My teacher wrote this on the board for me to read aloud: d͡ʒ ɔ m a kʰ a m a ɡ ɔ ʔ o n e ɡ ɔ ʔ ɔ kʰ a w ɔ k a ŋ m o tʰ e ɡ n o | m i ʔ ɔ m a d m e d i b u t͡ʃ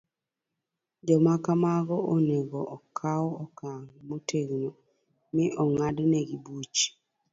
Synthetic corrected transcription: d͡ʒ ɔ m a k a m a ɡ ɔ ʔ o n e ɡ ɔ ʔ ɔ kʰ a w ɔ k a ŋ m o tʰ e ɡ n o | m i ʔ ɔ ŋ a d n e ɡ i b u t͡ʃ